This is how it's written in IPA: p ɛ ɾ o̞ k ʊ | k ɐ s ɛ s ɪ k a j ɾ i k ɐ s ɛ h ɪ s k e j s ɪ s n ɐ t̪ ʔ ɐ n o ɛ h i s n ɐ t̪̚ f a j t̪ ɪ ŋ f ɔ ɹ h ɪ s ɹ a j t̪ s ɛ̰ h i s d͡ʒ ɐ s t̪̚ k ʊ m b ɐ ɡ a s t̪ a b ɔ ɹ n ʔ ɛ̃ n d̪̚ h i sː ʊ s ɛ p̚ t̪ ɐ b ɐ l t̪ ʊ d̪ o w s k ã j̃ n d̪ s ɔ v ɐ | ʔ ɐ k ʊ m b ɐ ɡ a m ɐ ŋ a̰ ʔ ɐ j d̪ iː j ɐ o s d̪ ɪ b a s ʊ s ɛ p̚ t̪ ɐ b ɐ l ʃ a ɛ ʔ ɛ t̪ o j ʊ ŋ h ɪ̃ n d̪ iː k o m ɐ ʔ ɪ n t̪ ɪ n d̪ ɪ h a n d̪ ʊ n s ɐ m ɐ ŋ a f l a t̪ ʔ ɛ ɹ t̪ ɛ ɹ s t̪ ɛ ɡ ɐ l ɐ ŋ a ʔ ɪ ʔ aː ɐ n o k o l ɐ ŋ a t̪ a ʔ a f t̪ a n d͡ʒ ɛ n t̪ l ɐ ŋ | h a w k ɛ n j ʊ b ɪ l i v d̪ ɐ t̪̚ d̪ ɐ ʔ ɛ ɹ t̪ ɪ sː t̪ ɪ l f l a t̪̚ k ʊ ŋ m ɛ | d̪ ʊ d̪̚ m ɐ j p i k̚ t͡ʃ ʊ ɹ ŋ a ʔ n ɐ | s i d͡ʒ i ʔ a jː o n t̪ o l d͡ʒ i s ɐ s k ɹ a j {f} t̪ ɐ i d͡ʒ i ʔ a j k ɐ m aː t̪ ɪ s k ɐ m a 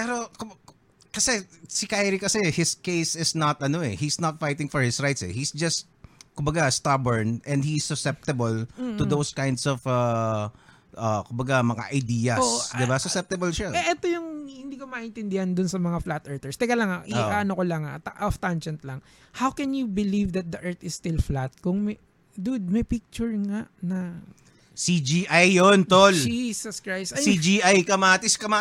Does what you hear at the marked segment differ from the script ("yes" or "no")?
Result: yes